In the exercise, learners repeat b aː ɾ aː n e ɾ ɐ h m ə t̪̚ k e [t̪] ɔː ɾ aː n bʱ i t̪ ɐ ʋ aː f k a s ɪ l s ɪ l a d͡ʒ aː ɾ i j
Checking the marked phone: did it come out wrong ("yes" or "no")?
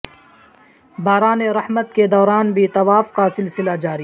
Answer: yes